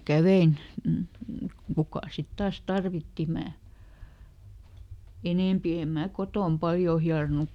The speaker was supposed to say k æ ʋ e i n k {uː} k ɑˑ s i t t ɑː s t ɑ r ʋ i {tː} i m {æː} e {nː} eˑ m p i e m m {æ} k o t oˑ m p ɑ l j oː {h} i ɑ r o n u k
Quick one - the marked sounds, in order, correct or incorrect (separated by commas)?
incorrect, correct, correct, incorrect, incorrect, correct